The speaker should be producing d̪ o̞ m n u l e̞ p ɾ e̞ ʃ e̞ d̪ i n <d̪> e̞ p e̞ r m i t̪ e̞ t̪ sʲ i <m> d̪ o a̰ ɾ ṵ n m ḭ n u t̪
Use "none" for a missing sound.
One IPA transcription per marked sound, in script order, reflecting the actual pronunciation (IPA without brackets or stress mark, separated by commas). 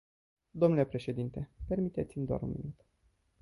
t̪, m